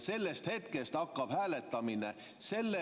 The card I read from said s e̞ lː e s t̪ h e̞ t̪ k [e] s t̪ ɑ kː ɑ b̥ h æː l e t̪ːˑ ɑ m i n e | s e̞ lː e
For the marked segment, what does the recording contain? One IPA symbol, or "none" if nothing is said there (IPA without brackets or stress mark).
e